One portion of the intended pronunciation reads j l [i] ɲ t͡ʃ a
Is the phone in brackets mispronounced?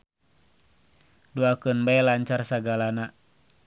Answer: yes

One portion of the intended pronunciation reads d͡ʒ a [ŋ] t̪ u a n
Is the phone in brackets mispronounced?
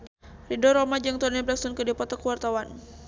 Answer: no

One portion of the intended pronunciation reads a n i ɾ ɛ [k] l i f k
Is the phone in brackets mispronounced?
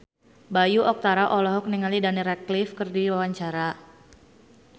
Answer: no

